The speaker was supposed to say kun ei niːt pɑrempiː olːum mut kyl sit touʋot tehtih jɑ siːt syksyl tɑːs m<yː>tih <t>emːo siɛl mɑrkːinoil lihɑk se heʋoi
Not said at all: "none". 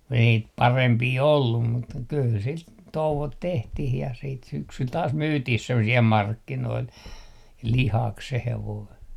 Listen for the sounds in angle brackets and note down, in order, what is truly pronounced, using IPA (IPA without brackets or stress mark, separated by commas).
yː, s